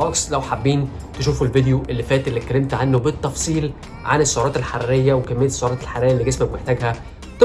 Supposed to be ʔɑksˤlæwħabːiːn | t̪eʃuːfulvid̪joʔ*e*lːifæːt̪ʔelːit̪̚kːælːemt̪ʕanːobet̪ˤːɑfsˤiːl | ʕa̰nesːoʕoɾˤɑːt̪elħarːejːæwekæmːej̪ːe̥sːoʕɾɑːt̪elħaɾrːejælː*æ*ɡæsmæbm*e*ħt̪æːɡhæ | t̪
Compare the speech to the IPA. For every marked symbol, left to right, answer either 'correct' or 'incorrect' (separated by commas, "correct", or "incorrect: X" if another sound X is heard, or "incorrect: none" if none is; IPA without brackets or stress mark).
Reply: correct, incorrect: i, correct